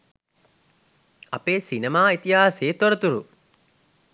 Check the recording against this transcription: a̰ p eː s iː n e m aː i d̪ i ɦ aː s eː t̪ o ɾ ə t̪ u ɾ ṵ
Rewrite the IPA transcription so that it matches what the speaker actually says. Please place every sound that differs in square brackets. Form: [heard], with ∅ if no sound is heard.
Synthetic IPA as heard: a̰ p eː s [i] n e m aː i [t̪] i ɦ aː s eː t̪ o ɾ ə t̪ u ɾ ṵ